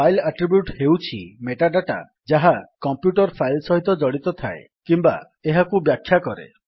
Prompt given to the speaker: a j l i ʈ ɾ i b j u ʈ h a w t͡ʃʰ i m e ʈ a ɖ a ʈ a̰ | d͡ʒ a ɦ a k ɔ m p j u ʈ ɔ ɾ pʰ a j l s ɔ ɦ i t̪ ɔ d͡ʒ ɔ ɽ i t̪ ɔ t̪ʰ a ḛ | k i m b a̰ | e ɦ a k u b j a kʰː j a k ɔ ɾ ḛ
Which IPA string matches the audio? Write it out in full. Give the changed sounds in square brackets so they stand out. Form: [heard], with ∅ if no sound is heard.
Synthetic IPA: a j l [a] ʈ ɾ i b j u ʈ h [e] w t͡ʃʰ i m e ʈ a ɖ a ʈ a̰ | d͡ʒ a ɦ a k ɔ m p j u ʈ ɔ ɾ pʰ a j l s ɔ ɦ i t̪ ɔ d͡ʒ ɔ ɽ i t̪ ɔ t̪ʰ a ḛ | k i m b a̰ | e ɦ a k u b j a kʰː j a k ɔ ɾ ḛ